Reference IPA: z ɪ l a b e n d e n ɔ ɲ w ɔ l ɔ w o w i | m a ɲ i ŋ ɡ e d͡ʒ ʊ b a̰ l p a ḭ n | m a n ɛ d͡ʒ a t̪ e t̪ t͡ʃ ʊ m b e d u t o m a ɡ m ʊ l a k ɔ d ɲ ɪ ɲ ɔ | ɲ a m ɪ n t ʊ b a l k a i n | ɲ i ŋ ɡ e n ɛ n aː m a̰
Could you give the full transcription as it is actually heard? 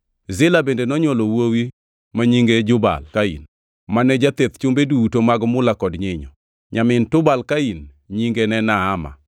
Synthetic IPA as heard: z ɪ l a b e n d e n ɔ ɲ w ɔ l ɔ w o w i | m a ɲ i ŋ ɡ e d͡ʒ ʊ b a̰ l k a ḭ n | m a n ɛ d͡ʒ a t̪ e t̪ t͡ʃ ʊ m b e d u t o m a ɡ m ʊ l a k ɔ d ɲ ɪ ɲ ɔ | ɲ a m ɪ n t ʊ b a l k a i n | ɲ i ŋ ɡ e n ɛ n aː m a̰